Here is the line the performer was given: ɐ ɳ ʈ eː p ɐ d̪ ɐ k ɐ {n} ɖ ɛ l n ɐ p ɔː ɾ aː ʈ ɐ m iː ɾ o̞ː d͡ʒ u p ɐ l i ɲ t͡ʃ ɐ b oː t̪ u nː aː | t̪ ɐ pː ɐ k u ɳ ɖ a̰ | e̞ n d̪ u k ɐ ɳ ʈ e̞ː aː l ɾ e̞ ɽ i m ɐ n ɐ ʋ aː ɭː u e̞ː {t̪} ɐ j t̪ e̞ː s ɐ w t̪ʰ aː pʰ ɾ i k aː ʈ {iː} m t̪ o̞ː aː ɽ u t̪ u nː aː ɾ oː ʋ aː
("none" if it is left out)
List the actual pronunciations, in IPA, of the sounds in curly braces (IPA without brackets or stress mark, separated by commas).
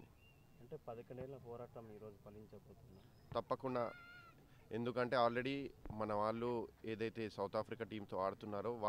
ɳ, d̪, iː